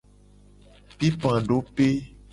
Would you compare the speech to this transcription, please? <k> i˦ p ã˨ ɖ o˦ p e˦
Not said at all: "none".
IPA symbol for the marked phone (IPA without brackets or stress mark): p